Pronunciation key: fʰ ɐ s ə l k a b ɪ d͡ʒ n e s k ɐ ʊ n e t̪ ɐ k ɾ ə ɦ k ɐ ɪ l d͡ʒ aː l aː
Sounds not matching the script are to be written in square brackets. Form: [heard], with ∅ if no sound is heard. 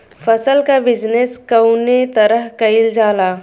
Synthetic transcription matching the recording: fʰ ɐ s ə l k a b ɪ d͡ʒ n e s k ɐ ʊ n e t̪ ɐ [∅] ɾ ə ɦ k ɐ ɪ l d͡ʒ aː l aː